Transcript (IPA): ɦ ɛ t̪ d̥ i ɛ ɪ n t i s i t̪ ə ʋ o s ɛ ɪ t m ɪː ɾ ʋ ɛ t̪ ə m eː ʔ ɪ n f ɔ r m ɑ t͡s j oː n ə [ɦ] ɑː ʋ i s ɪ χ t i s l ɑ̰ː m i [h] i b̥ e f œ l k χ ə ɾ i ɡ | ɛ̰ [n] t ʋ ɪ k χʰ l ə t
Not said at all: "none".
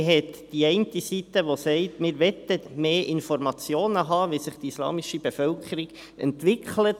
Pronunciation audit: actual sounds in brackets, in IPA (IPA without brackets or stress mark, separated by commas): ɦ, ʃ, n